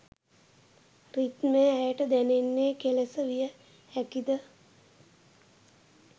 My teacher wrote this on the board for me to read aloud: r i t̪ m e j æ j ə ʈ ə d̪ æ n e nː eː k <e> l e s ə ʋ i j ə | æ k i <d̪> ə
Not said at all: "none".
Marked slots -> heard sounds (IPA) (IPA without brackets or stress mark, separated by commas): e, d̪